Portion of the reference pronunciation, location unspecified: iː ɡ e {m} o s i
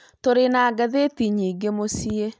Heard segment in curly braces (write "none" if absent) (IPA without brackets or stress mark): m